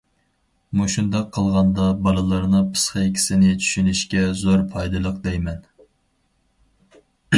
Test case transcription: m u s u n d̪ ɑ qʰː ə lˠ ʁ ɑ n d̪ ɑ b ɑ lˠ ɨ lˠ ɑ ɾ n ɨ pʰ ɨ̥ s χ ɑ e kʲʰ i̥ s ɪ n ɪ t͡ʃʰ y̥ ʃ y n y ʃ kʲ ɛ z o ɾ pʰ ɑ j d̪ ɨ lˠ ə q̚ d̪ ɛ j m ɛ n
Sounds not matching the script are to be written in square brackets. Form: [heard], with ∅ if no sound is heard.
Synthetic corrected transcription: m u [ʃ] u n d̪ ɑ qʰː ə lˠ ʁ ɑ n d̪ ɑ b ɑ lˠ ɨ lˠ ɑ ɾ n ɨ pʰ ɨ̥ s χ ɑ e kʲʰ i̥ s ɪ n ɪ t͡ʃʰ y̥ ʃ y n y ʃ kʲ ɛ z o ɾ pʰ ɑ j d̪ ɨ lˠ ə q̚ d̪ ɛ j m ɛ n